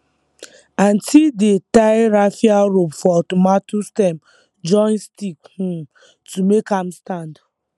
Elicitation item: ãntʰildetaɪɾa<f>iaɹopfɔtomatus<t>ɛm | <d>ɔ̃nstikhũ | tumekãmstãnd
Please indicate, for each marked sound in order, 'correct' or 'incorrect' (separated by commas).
correct, correct, incorrect